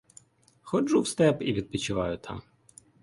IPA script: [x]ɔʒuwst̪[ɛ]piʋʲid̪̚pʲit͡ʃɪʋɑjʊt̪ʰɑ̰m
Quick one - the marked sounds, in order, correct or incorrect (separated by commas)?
correct, correct